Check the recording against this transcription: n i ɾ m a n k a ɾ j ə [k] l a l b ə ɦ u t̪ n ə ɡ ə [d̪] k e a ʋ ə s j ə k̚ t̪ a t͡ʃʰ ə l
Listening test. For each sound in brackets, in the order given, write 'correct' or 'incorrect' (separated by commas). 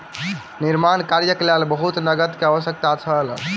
correct, incorrect